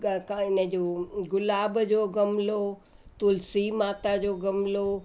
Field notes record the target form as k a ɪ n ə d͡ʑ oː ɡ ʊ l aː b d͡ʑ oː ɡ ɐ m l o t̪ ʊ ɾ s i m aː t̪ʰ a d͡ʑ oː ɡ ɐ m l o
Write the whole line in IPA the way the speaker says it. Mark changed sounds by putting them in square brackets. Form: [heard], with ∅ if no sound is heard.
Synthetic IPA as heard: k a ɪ n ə d͡ʑ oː ɡ ʊ l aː b d͡ʑ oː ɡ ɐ m l o t̪ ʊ [l] s i m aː [t̪] a d͡ʑ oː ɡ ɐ m l o